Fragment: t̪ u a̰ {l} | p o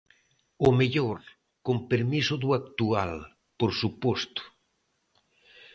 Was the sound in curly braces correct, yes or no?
yes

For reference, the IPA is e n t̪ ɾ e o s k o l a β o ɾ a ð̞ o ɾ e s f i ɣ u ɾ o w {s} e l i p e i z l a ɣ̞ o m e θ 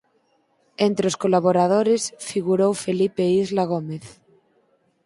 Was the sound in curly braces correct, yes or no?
no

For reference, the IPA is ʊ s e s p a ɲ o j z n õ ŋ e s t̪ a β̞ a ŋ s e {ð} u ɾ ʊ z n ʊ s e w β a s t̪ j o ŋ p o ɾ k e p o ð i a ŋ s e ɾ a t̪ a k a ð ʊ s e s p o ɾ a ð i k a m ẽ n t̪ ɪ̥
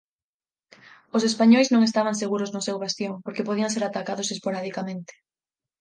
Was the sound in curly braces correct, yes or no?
no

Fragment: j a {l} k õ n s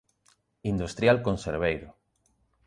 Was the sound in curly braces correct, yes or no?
yes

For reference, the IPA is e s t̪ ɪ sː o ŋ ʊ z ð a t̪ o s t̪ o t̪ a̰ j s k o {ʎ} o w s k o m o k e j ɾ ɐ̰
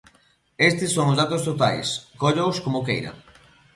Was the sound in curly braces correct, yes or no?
yes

